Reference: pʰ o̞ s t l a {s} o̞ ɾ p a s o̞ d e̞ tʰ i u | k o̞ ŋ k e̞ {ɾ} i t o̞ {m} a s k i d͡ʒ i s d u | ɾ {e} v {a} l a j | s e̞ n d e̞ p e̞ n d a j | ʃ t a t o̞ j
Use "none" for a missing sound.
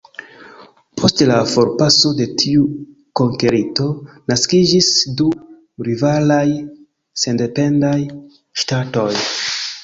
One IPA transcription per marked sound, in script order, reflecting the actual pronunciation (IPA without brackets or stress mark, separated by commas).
f, ɾ, n, i, a